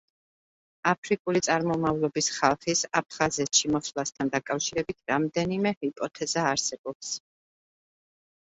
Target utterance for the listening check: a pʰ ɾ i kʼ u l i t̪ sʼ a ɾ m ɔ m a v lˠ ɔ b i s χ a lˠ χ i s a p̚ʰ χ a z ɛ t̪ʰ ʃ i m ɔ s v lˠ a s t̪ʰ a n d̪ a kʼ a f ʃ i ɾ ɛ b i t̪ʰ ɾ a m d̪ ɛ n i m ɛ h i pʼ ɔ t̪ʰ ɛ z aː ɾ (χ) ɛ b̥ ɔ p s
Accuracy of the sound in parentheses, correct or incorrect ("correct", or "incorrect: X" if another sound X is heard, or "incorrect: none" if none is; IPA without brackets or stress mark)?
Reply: incorrect: s